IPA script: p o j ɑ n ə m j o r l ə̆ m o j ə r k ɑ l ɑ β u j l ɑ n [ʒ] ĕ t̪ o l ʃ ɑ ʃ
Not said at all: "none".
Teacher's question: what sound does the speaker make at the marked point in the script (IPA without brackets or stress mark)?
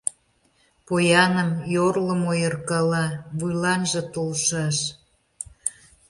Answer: ʒ